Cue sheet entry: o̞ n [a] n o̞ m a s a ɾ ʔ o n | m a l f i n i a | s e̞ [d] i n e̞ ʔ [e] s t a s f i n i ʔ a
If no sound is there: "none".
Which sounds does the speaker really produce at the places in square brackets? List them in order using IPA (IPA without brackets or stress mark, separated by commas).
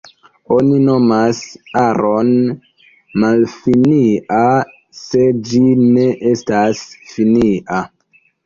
i, d͡ʒ, e